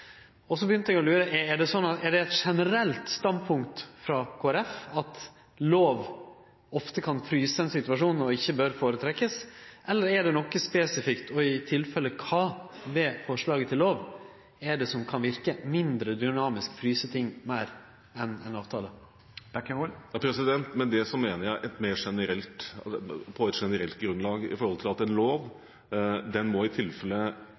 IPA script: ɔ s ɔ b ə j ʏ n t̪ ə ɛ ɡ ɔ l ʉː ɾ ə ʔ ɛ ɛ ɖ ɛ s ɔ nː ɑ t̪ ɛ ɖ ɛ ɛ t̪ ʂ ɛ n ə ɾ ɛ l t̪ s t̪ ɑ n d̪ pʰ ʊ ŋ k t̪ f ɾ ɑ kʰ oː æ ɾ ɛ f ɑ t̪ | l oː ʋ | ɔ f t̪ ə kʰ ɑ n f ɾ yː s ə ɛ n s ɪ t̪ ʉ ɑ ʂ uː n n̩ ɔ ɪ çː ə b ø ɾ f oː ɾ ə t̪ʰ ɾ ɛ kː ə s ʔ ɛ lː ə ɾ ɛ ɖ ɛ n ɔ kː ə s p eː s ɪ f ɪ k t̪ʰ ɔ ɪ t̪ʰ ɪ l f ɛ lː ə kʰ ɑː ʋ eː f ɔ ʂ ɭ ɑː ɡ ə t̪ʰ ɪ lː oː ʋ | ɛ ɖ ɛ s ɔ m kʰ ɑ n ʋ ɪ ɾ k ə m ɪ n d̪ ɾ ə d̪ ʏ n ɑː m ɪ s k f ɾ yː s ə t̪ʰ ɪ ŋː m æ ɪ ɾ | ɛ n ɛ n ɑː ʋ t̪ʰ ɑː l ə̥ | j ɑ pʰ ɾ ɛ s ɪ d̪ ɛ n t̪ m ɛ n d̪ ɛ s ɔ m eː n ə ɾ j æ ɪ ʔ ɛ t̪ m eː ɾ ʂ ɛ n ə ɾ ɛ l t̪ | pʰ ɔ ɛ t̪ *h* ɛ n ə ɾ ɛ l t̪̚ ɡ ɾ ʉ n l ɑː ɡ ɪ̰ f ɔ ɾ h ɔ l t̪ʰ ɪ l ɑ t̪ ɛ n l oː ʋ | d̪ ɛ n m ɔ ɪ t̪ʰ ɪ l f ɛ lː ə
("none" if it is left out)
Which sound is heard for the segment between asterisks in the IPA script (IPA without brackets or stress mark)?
ʂ